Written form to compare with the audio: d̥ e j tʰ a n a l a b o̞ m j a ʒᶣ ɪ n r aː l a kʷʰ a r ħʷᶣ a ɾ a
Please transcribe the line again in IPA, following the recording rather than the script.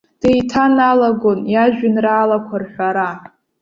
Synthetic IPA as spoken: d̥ e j tʰ a n a l a ɡ o̞ n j a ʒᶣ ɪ n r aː l a kʷʰ a r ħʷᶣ a ɾ a